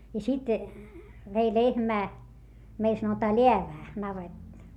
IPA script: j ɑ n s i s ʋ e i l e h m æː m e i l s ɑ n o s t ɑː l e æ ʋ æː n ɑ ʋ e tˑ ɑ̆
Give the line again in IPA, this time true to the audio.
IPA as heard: j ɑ s i t ʋ e i l e h m æː m e i l s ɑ n o t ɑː l e æ ʋ æː n ɑ ʋ e tˑ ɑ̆